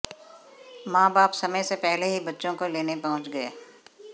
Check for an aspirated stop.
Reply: absent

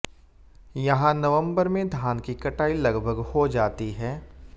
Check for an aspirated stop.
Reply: absent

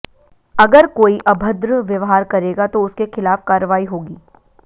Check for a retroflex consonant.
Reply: absent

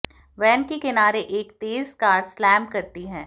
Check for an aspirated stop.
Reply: absent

